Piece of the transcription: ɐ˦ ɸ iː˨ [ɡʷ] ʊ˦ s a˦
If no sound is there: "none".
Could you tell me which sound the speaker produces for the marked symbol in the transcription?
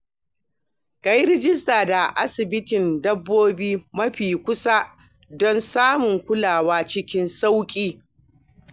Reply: kʷ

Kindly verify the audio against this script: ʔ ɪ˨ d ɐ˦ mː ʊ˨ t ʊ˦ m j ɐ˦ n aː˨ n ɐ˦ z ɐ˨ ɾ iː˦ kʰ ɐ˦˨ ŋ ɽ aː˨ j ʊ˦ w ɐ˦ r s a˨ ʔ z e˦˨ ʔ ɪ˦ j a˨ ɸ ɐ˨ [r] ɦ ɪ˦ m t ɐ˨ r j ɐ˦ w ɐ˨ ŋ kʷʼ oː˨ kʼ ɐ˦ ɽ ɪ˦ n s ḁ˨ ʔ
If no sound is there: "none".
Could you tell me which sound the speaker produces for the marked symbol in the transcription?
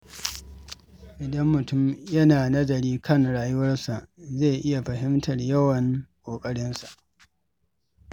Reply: none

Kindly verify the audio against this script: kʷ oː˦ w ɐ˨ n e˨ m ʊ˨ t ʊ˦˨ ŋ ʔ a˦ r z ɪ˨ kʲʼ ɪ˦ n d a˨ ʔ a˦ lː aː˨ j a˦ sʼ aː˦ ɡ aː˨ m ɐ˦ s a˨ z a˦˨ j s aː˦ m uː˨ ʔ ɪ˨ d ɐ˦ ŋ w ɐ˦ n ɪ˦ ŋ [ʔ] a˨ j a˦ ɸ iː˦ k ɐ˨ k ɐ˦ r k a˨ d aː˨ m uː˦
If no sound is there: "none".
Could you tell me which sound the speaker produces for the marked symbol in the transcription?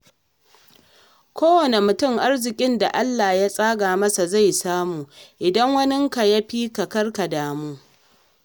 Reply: k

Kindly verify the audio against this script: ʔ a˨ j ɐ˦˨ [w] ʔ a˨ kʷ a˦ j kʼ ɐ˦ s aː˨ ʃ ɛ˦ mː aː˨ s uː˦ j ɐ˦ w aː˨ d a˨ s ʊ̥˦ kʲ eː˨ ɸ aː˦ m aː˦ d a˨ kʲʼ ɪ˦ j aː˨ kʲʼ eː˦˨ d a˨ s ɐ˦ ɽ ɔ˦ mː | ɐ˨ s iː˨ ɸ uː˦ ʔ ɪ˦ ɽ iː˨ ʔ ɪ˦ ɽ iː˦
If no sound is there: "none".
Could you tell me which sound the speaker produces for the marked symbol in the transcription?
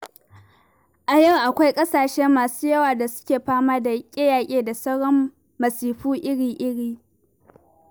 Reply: w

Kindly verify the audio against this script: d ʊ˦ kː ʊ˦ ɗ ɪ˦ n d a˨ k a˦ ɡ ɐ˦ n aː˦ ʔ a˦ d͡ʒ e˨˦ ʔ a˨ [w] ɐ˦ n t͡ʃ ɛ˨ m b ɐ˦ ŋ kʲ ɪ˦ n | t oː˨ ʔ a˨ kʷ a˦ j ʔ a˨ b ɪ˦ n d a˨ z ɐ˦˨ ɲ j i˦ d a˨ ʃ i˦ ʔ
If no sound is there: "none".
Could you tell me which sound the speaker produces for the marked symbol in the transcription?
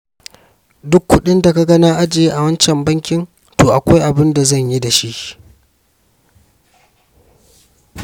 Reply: w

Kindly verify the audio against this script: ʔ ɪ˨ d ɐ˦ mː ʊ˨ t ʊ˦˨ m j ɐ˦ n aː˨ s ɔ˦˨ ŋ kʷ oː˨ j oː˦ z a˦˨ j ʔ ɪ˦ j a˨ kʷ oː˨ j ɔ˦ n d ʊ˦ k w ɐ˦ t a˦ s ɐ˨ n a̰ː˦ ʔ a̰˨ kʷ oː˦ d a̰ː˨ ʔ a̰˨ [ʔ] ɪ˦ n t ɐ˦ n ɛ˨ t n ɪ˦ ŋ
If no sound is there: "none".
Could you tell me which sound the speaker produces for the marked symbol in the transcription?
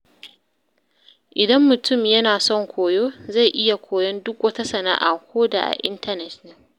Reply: ʔ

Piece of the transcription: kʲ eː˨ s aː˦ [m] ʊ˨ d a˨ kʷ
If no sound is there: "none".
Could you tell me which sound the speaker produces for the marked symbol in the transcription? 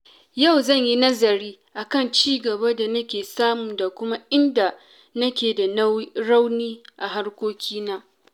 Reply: m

